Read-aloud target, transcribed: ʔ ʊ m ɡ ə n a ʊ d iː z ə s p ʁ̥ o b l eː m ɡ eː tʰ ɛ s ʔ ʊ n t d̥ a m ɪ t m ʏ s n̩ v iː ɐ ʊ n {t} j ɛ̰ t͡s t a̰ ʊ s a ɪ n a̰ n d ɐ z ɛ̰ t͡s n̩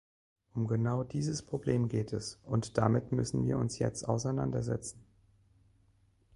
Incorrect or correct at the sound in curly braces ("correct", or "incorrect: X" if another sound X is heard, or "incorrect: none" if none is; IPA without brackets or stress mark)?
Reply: incorrect: s